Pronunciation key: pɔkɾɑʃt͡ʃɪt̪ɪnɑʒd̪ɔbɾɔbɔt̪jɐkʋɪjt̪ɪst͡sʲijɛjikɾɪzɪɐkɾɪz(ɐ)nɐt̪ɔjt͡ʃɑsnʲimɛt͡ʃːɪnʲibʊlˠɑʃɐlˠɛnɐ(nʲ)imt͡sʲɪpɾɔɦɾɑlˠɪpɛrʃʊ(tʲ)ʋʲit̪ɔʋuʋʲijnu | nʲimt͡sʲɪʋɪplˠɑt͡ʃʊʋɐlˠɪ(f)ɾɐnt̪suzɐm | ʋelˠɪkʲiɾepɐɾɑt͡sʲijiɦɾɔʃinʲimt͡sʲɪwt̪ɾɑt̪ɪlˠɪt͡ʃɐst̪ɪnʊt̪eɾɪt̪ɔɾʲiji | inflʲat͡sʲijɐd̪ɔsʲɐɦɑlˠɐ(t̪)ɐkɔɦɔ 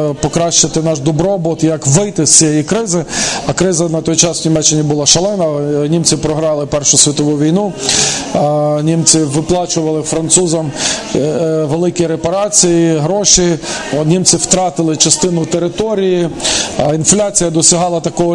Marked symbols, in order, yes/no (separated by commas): yes, yes, no, yes, yes